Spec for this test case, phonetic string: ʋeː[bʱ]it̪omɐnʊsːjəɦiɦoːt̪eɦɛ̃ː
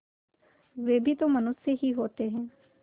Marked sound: correct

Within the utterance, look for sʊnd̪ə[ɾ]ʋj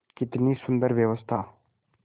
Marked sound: correct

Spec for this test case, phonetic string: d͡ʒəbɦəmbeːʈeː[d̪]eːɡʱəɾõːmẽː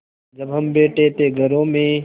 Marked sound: incorrect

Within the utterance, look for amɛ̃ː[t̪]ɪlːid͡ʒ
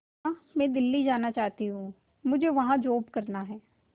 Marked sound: incorrect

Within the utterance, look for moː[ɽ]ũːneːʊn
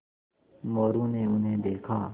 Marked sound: incorrect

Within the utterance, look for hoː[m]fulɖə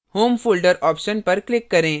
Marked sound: correct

